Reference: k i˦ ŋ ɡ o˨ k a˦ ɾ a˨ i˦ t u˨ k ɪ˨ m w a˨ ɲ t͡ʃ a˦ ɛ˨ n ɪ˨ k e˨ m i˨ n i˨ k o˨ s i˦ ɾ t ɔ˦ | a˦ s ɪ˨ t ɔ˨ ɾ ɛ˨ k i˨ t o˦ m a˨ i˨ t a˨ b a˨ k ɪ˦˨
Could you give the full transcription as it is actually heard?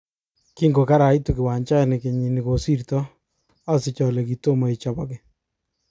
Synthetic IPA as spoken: k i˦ ŋ ɡ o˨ k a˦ ɾ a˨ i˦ t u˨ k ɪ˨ w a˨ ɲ t͡ʃ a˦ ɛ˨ n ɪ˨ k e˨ ɲ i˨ n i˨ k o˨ s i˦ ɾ t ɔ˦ | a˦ s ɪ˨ t͡ʃ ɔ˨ l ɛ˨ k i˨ t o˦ m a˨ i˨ t͡ʃ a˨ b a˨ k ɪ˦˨